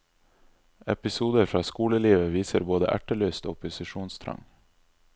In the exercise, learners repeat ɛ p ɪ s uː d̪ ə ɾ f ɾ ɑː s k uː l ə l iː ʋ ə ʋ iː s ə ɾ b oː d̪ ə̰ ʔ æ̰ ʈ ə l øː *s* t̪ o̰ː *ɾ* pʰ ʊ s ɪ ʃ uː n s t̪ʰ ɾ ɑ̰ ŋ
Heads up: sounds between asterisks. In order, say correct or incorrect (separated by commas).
correct, incorrect